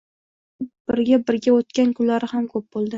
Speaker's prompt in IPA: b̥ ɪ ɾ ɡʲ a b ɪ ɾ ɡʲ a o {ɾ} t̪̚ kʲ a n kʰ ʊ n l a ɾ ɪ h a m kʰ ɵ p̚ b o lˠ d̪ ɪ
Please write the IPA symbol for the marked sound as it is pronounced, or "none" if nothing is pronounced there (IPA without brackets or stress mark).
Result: none